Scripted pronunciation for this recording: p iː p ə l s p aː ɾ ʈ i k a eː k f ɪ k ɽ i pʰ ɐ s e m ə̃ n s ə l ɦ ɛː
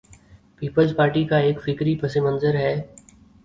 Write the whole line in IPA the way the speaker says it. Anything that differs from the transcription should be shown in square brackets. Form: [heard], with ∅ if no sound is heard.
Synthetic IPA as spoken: p iː p ə l [z] p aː ɾ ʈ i k a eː k f ɪ k [ɾ] i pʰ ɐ s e m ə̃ n [z] ə [ɾ] ɦ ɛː